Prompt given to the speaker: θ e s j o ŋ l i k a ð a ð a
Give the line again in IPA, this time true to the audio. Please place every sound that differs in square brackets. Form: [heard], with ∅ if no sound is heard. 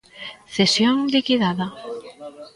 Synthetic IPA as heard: θ e s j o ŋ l i k [i] ð a ð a